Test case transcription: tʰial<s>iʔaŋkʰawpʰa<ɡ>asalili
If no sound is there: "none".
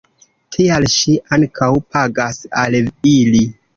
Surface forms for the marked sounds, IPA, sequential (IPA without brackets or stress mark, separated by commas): ʃ, ɡ